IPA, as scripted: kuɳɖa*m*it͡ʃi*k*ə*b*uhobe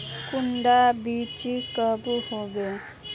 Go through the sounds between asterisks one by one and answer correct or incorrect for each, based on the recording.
incorrect, correct, correct

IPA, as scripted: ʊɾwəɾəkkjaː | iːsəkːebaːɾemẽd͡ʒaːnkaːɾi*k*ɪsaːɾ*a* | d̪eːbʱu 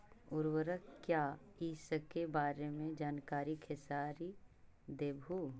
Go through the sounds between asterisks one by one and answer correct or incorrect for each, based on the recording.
incorrect, incorrect

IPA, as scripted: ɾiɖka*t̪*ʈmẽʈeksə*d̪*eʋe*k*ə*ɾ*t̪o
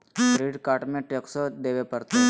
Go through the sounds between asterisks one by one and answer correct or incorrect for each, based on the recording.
incorrect, correct, incorrect, correct

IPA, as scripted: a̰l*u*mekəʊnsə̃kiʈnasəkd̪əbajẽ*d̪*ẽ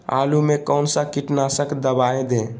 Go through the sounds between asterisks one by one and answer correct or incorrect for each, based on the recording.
correct, correct

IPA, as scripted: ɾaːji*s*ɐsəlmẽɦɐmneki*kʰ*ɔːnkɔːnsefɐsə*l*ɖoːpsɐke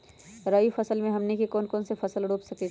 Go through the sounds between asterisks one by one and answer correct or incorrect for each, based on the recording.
incorrect, incorrect, correct

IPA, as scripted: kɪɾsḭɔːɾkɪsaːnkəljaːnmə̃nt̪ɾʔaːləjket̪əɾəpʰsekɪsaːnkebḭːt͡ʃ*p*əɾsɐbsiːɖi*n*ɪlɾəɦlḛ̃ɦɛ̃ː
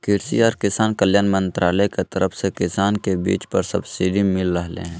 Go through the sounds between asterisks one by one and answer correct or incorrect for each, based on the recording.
correct, incorrect

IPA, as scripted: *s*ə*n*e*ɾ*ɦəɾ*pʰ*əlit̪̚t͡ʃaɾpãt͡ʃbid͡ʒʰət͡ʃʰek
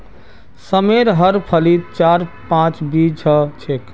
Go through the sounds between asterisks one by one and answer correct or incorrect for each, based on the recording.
correct, incorrect, correct, correct

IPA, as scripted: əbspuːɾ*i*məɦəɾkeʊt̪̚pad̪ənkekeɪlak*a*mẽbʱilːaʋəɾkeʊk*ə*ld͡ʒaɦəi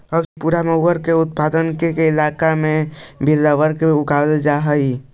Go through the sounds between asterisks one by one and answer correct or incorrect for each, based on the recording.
incorrect, correct, incorrect

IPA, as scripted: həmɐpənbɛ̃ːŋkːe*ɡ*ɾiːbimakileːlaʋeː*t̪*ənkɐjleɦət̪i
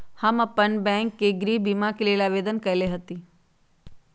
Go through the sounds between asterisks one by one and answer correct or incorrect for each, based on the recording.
correct, incorrect

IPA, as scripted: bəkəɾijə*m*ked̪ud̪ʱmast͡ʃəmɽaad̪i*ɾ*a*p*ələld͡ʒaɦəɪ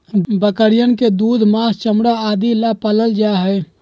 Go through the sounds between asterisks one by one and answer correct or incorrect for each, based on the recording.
incorrect, incorrect, correct

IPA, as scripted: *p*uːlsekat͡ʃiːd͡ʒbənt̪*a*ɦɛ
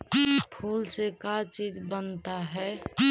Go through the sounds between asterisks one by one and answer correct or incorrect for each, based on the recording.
incorrect, correct

